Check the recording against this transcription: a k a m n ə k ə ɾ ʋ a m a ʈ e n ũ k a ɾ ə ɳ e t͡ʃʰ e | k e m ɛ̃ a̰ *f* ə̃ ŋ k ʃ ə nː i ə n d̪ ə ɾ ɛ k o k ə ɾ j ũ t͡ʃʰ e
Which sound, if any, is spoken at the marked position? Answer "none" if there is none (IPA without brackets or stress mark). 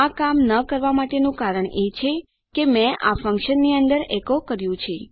f